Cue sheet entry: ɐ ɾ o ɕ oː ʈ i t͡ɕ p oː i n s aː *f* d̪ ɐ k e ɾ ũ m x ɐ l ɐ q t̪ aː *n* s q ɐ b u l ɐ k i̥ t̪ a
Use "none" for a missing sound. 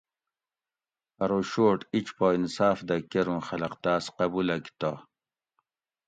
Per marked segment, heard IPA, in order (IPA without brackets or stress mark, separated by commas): f, none